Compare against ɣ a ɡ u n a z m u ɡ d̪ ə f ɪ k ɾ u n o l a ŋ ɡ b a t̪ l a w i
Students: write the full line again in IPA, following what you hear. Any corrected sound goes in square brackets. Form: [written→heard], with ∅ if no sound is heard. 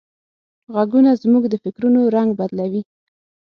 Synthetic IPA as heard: ɣ a ɡ u n a z m u ɡ d̪ ə f ɪ k ɾ u n o [l→ɾ] a ŋ ɡ b a [t̪→d̪] l a w i

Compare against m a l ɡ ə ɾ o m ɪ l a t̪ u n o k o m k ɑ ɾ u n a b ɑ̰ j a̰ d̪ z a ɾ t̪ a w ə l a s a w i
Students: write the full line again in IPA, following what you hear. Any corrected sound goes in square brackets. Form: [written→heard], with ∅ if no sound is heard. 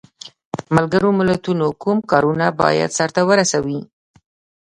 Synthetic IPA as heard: m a l ɡ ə ɾ o m ɪ l a t̪ u n o k [o→u] m k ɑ ɾ u n a b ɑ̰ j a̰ d̪ [z→s] a ɾ t̪ a w ə [l→ɾ] a s a w i

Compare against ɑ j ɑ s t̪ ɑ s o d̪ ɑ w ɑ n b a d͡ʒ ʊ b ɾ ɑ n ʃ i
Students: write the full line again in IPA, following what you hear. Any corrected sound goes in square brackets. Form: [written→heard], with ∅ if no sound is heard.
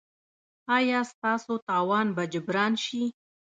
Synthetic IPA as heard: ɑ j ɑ s t̪ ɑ s o [d̪→t̪] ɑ w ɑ n b a d͡ʒ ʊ b ɾ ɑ n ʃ i

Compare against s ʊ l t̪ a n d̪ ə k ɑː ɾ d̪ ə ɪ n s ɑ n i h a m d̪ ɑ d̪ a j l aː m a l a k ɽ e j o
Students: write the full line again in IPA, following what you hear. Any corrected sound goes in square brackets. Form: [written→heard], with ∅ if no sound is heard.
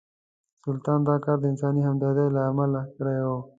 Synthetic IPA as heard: s ʊ l t̪ [a→ɑ] n d̪ [ə→ɑ] k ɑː ɾ d̪ ə ɪ n s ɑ n i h a m d̪ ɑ d̪ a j l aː m a l a k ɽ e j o

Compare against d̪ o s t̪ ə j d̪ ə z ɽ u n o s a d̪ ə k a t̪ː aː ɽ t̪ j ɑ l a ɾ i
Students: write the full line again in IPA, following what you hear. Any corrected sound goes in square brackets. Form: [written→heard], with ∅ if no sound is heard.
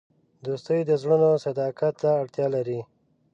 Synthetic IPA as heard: d̪ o s t̪ ə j d̪ ə z ɽ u n o s a d̪ [ə→ɑ] k a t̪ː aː ɽ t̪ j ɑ l a ɾ i

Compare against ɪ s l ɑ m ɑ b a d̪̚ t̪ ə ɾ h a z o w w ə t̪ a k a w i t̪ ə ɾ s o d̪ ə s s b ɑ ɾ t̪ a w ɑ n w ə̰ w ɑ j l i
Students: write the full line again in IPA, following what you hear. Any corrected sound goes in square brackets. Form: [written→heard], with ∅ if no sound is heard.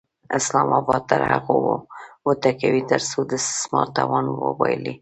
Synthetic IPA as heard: ɪ s l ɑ m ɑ b [a→ɑ] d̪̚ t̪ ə ɾ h a [z→ɣ] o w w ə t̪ a k a w i t̪ ə ɾ s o d̪ ə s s [b→m] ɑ ɾ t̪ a w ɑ n w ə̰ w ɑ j l i

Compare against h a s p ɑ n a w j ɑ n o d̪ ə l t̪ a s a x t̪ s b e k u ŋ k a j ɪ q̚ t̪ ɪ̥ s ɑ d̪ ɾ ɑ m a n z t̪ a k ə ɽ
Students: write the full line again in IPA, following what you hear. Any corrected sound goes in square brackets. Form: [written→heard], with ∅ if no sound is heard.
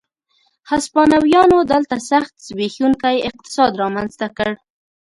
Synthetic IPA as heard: h a s p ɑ n a w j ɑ n o d̪ ə l t̪ a s a x t̪ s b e [k→x] u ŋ k a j ɪ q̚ t̪ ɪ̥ s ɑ d̪ ɾ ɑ m a n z t̪ a k ə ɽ

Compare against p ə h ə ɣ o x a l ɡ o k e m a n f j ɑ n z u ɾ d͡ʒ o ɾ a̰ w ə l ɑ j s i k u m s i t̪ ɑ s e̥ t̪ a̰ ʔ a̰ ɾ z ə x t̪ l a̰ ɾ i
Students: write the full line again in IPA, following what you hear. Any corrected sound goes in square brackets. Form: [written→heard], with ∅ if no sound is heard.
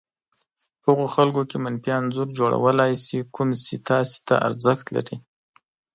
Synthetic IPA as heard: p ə h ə ɣ o x a l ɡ o k e m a n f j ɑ n z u ɾ d͡ʒ o [ɾ→ɽ] a̰ w ə l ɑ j s i k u m s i t̪ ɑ s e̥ t̪ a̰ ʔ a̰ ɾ z ə x t̪ l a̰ ɾ i

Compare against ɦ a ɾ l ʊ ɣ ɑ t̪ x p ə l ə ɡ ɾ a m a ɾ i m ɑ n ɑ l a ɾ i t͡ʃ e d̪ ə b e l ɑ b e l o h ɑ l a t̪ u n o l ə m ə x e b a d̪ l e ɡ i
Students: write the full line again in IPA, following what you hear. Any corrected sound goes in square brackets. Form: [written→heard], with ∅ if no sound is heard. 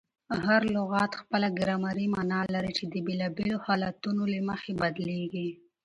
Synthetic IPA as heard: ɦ a ɾ l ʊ ɣ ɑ t̪ x p ə l [ə→a] ɡ ɾ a m a ɾ i m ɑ n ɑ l a ɾ i t͡ʃ e d̪ ə b e l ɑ b e l o h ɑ l a t̪ u n o l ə m ə x e b a d̪ l e ɡ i

